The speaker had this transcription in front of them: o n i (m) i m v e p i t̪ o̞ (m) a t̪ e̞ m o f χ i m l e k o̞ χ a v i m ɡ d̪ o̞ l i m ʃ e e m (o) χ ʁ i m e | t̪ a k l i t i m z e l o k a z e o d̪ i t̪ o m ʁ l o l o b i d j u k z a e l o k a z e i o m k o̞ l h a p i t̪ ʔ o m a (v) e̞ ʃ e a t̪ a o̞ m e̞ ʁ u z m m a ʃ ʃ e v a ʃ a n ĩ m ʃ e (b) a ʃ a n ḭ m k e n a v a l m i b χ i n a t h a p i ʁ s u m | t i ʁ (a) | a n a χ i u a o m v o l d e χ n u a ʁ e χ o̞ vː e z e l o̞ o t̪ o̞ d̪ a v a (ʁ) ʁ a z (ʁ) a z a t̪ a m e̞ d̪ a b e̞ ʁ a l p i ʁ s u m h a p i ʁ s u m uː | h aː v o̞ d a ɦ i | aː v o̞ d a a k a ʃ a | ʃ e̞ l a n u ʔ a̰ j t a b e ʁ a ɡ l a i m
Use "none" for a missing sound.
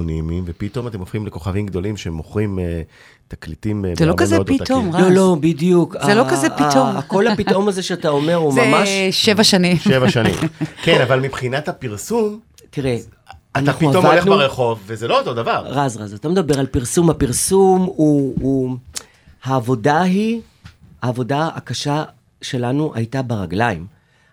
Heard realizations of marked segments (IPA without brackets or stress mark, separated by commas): m, m, o, z, v, e, ʁ, ʁ